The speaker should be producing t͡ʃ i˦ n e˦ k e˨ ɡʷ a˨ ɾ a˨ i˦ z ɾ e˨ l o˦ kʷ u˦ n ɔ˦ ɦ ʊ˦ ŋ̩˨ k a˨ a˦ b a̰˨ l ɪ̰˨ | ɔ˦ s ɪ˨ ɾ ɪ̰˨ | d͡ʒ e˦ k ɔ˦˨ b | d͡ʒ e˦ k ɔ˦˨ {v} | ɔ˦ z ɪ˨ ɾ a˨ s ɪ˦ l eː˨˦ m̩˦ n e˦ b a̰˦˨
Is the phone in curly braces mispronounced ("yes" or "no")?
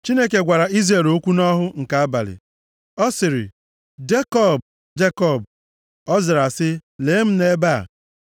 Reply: yes